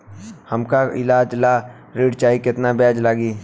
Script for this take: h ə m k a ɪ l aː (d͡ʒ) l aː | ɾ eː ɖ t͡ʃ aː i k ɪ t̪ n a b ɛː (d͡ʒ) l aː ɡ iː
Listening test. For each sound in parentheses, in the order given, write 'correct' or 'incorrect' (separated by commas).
correct, correct